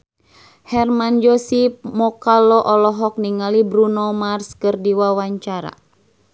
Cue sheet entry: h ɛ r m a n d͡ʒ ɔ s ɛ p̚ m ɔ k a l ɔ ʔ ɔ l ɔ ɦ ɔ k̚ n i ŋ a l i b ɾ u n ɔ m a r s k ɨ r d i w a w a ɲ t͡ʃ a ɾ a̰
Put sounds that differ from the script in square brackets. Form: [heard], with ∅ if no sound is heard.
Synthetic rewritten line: h ɛ r m a n d͡ʒ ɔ s [i] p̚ m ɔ k a l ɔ ʔ ɔ l ɔ ɦ ɔ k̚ n i ŋ a l i b ɾ u n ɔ m a r s k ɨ r d i w a w a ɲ t͡ʃ a ɾ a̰